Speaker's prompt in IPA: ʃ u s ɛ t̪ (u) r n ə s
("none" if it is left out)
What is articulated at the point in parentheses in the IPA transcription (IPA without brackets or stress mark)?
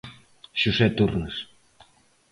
u